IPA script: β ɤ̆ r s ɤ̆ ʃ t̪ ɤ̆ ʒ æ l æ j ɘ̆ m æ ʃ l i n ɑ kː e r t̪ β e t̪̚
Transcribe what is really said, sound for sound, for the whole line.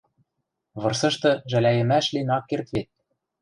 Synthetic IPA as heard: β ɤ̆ r s ɤ̆ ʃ t̪ ɤ̆ ʒ æ l æ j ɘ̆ m æ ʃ l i n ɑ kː e r t̪ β e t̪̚

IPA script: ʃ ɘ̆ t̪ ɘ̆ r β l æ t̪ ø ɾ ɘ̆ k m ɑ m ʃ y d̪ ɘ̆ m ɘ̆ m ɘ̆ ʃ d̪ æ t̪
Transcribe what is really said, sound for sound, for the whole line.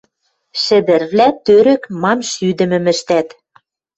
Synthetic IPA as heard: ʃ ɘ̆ d̪ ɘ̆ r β l æ t̪ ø ɾ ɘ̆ k m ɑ m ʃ y d̪ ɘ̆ m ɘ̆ m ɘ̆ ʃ t̪ æ t̪

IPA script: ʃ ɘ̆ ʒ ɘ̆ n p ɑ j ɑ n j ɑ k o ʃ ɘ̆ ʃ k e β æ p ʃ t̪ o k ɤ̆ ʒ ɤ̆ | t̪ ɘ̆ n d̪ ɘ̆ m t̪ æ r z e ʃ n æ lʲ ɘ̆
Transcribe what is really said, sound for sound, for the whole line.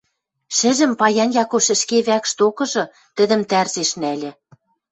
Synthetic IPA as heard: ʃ ɘ̆ ʒ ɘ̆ m p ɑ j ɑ n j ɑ k o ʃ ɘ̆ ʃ k e β æ k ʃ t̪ o k ɤ̆ ʒ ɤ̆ | t̪ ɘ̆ d̪ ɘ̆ m t̪ æ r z e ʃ n æ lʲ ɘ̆

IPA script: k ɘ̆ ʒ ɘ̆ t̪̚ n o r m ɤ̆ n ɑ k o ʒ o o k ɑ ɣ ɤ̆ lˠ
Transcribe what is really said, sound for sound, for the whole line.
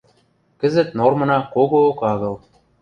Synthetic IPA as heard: k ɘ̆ z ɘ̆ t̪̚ n o r m ɤ̆ n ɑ k o ɣ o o k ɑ ɣ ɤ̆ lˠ

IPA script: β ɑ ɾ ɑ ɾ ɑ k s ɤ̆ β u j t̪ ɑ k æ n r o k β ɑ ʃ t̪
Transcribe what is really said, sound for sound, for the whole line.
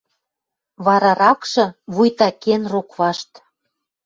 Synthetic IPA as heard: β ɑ ɾ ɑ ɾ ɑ k ʃ ɤ̆ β u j t̪ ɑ k e n r o k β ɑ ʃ t̪

